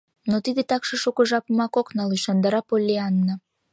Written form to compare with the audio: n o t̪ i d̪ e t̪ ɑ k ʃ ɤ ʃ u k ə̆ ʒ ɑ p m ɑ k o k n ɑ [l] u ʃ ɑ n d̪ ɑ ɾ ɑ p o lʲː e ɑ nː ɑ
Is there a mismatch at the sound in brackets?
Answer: no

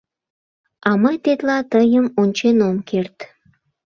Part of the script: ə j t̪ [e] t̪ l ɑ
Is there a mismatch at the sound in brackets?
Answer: no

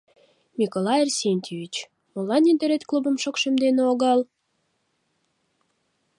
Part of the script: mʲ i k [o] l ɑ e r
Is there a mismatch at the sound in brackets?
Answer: no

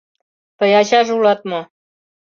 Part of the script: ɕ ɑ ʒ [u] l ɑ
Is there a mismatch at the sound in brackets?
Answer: no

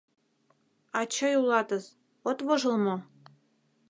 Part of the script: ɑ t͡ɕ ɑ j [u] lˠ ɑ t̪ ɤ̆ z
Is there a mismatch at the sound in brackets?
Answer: no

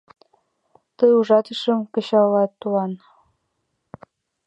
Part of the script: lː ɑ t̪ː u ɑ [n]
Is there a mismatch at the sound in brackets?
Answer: no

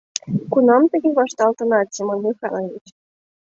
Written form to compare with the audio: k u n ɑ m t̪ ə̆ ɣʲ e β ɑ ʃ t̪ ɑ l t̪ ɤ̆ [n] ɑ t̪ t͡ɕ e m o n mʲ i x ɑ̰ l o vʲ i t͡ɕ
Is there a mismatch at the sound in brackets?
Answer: no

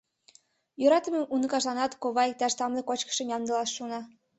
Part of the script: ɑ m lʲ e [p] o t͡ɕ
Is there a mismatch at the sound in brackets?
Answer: yes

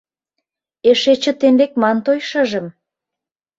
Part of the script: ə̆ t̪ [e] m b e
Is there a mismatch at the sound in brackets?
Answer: no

